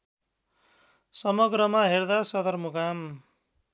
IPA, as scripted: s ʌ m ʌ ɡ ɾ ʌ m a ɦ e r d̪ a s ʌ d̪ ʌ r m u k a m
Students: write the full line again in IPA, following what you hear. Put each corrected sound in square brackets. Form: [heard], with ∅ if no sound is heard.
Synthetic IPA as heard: s ʌ m ʌ ɡ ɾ ʌ m a ɦ e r d̪ a s ʌ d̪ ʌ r m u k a m